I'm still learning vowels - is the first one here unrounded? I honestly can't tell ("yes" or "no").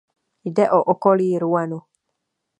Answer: yes